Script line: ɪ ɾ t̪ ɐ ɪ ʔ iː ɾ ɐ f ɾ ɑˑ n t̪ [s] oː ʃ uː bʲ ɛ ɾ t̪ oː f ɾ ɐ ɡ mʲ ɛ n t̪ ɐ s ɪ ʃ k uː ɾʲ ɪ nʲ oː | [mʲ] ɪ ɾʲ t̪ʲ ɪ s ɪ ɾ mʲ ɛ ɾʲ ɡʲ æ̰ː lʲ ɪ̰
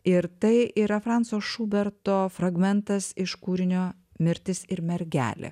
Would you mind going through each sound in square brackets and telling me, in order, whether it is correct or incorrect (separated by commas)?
correct, correct